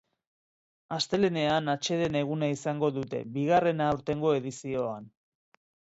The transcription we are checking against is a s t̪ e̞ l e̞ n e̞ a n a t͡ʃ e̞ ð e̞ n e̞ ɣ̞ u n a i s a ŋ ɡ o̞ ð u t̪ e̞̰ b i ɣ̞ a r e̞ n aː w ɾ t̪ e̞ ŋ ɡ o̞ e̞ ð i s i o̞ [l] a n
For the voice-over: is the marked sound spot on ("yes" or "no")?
no